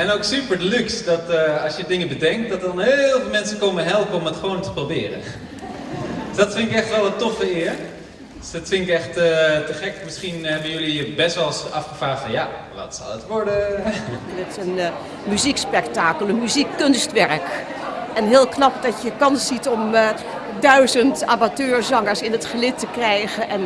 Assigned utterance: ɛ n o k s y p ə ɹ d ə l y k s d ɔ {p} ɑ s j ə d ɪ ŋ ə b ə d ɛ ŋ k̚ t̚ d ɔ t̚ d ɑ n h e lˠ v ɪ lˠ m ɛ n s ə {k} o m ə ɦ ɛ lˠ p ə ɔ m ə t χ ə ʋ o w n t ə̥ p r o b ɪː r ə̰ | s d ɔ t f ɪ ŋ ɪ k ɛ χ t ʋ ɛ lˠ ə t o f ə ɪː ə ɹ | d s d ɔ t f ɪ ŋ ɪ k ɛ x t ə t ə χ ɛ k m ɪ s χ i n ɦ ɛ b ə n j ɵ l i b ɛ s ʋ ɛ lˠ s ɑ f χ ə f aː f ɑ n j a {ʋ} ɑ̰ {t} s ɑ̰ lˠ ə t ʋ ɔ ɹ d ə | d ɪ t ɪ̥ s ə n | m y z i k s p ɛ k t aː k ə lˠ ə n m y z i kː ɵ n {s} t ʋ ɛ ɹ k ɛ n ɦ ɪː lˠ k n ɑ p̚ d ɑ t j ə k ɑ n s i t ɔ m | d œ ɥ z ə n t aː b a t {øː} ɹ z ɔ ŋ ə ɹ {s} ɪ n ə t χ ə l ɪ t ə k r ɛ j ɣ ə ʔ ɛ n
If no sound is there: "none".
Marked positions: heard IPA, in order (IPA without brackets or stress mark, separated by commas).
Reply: t, k, ʋ, t, s, øː, s